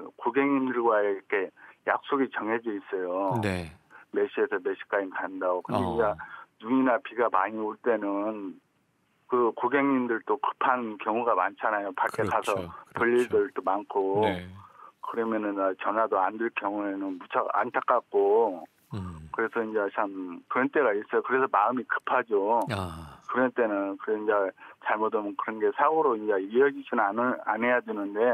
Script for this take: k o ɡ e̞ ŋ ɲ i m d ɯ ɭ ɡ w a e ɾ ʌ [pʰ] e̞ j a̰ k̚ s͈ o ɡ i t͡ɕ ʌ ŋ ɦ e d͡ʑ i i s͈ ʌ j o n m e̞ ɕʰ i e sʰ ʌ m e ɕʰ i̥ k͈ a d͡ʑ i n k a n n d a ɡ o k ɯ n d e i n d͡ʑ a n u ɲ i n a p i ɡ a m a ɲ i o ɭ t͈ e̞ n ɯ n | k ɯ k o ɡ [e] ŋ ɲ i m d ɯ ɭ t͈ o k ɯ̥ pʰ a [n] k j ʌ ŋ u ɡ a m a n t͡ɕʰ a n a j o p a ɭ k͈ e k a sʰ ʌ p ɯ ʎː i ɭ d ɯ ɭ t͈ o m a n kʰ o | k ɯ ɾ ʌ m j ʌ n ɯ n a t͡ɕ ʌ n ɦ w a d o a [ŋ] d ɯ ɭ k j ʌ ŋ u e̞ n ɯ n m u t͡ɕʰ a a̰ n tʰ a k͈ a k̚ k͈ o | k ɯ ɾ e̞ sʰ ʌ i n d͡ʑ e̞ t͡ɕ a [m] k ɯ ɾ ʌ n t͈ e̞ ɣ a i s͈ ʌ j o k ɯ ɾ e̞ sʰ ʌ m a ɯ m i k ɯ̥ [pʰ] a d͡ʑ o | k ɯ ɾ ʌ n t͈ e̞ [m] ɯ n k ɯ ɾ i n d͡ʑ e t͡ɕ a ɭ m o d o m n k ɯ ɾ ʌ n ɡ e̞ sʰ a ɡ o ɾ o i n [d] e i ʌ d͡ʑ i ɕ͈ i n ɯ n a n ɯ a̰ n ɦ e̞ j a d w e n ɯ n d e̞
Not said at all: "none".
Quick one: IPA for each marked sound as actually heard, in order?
kʰ, e, n, n, m, pʰ, n, d͡ʑ

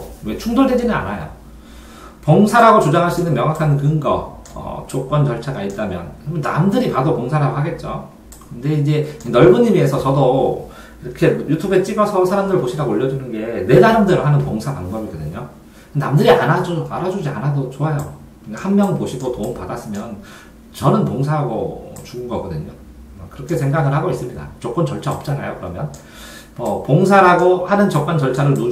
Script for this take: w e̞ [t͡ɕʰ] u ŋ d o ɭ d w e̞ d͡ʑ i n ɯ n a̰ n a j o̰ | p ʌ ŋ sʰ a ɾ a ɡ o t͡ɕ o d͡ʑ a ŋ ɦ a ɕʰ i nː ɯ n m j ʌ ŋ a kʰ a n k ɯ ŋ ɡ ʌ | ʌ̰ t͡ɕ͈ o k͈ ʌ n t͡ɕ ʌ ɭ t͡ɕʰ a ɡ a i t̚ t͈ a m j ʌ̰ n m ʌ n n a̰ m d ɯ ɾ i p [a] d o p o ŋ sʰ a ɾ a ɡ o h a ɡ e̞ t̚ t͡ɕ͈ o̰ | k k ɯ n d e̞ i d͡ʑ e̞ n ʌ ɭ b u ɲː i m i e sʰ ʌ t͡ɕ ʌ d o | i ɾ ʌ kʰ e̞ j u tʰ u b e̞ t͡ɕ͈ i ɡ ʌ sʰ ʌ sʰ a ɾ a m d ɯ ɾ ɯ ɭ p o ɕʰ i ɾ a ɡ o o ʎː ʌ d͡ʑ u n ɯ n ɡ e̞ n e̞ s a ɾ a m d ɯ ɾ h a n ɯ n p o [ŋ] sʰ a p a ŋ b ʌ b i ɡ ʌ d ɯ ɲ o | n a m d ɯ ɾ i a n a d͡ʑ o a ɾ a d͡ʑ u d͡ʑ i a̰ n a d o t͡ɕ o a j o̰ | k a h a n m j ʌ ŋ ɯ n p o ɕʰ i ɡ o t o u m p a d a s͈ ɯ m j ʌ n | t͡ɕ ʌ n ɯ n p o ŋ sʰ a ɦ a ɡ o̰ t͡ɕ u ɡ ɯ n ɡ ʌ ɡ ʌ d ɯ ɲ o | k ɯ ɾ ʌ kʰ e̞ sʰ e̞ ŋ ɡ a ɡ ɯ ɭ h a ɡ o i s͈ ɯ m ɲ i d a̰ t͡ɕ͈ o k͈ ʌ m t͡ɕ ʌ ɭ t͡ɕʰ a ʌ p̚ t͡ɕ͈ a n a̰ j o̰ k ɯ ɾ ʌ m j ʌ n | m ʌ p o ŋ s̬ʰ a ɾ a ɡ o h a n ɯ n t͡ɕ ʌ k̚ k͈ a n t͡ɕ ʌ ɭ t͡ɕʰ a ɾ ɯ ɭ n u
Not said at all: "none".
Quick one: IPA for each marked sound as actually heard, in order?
t͡ɕʰ, a, ŋ

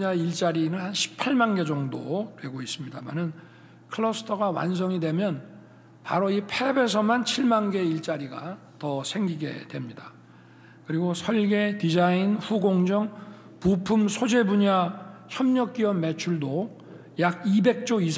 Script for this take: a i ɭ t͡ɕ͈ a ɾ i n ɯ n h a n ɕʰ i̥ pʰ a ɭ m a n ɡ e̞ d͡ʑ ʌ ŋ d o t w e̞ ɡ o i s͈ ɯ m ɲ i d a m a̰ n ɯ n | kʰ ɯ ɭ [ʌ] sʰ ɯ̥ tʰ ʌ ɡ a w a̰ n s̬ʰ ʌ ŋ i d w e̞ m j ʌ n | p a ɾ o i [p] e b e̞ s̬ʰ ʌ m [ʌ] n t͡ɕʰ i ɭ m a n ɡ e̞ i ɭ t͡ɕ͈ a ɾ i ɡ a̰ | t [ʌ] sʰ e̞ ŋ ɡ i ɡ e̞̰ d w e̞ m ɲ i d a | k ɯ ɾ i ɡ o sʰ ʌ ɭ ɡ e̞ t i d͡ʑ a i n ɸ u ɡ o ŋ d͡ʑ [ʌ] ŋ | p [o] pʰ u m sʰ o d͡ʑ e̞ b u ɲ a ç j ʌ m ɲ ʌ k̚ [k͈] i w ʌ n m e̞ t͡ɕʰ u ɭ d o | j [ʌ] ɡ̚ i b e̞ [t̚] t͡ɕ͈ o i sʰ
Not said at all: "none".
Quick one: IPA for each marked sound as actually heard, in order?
ʌ, pʰ, a, ʌ, ʌ, u, k͈, a, k̚

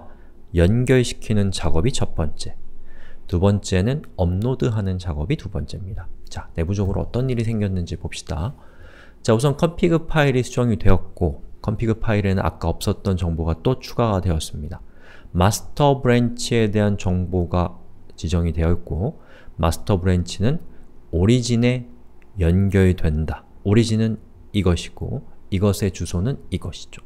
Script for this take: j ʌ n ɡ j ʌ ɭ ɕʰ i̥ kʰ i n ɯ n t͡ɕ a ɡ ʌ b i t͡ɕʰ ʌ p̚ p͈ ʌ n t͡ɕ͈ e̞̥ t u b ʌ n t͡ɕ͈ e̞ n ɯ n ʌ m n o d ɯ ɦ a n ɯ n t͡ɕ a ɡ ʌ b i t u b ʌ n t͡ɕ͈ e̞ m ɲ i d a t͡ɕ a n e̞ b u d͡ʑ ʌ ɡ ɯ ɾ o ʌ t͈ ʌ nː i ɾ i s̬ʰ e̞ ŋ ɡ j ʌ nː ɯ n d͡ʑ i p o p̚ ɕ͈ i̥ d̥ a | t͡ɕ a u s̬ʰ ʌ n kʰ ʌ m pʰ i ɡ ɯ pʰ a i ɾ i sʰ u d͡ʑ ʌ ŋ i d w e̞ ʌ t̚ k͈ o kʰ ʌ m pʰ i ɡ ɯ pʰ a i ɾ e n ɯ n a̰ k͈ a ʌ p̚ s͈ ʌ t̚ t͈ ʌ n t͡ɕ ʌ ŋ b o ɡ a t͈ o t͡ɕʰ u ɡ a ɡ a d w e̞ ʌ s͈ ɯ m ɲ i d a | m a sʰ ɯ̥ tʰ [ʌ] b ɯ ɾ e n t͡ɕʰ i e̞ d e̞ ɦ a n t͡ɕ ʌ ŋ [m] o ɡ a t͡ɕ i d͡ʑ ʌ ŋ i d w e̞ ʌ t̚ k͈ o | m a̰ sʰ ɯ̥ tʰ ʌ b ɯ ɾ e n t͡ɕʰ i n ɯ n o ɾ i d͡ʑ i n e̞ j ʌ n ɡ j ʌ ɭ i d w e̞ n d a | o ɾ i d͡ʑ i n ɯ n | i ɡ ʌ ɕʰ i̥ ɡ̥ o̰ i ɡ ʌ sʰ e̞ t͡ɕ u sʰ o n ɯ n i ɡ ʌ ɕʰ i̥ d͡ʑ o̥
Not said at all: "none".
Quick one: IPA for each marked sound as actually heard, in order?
ʌ, b

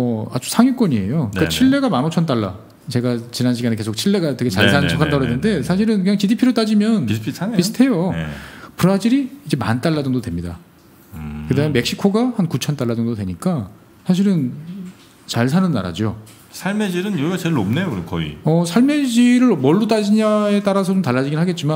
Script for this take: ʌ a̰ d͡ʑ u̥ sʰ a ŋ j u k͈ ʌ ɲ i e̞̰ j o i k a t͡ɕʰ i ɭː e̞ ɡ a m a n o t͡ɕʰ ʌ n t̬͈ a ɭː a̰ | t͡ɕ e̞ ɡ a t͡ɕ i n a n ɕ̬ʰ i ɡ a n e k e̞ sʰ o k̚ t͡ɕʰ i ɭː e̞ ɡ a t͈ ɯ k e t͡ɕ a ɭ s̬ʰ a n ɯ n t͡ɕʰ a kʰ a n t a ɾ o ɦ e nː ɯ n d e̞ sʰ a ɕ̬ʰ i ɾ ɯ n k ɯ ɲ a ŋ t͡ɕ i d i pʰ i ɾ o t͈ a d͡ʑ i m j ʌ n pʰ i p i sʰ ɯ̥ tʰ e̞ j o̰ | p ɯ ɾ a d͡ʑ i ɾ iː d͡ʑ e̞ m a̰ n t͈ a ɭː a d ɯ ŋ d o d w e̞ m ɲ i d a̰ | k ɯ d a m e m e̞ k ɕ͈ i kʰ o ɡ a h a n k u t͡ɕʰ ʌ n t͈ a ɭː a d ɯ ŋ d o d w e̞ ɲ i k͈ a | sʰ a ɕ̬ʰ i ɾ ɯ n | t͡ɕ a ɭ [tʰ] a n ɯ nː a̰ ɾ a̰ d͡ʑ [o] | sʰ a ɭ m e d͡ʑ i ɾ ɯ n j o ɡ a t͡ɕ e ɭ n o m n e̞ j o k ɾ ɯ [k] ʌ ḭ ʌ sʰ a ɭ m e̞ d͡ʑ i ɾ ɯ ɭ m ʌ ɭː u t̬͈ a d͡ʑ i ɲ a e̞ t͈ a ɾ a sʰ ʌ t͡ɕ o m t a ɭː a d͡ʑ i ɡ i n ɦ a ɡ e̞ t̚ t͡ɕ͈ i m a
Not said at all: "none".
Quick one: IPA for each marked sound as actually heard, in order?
sʰ, o, k

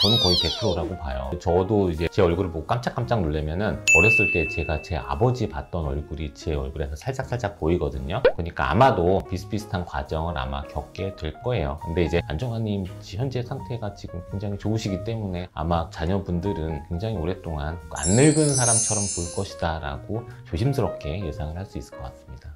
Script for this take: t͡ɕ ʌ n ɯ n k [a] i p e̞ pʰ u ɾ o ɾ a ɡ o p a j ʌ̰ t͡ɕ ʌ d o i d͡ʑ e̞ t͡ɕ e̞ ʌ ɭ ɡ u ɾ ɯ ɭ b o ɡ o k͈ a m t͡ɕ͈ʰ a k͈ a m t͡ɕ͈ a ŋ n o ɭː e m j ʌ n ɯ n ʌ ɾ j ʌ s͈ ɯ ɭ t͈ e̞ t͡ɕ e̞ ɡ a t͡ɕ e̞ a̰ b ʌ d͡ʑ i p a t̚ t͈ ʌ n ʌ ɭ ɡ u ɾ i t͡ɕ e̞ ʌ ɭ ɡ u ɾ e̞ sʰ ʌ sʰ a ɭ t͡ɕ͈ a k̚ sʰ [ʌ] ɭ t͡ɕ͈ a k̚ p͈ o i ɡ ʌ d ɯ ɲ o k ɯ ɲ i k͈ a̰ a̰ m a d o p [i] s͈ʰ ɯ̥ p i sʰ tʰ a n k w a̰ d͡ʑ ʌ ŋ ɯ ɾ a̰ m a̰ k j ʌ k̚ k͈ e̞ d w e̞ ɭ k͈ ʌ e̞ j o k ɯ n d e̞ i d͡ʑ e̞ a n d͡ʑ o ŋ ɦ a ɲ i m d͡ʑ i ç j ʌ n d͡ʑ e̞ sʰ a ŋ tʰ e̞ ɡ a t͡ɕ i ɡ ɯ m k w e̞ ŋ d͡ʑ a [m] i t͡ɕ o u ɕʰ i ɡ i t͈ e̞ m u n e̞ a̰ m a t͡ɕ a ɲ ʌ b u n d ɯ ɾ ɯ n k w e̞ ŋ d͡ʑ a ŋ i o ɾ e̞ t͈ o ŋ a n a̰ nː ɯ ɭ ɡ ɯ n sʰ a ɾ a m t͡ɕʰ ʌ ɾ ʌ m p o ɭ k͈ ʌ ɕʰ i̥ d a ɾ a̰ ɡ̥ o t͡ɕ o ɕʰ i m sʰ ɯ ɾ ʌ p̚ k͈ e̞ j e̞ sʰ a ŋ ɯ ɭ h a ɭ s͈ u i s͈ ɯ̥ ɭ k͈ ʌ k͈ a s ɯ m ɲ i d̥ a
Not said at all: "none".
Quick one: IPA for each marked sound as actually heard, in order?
ʌ, a, i, ŋ

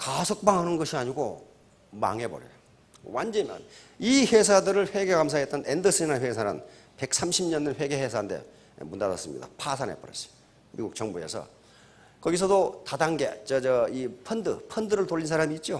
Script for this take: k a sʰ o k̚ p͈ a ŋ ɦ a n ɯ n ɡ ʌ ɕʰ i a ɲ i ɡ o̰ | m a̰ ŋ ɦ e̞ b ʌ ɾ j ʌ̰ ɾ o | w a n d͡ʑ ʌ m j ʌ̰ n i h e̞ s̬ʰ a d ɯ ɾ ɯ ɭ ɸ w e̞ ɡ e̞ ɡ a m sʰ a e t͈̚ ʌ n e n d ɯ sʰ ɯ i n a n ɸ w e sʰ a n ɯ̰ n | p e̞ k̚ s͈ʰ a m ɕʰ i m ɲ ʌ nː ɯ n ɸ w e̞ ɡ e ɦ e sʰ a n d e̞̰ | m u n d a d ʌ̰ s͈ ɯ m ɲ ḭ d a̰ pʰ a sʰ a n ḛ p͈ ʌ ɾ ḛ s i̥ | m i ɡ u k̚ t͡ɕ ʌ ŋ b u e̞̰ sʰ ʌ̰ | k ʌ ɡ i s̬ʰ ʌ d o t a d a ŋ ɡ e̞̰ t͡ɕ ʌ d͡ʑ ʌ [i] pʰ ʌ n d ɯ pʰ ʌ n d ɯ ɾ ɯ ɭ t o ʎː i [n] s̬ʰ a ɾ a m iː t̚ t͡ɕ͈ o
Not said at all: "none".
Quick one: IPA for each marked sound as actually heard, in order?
i, n

